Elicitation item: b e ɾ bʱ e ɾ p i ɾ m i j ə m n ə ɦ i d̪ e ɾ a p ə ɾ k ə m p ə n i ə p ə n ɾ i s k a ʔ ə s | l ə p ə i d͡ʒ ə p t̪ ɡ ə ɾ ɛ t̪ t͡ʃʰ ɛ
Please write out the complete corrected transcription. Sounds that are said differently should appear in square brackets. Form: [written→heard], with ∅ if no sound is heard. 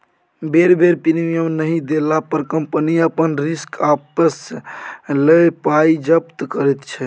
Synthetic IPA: b e ɾ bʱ e ɾ p i ɾ m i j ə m n ə ɦ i d̪ e [ɾ→l] a p ə ɾ k ə m p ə n i ə p ə n ɾ i s k a [ʔ→p] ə s | l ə p [ə→a] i d͡ʒ ə p t̪ [ɡ→k] ə ɾ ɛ t̪ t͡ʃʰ ɛ